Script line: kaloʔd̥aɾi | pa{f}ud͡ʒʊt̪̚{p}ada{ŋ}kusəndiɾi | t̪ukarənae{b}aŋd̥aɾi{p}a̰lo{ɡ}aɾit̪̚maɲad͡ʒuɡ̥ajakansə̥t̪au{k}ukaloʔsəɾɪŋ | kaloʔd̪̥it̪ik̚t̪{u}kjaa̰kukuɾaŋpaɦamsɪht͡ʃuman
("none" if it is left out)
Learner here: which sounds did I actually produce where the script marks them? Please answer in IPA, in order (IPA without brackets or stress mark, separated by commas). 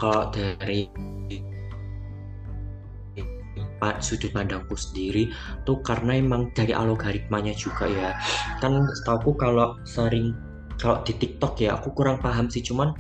s, p, ŋ, m, ʔ, ɡ, k, ɔ